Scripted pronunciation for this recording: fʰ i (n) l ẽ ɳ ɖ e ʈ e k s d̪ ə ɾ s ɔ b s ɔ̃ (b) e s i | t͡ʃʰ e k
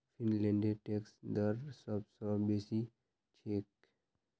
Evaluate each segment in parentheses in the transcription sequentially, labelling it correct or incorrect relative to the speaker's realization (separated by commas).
correct, correct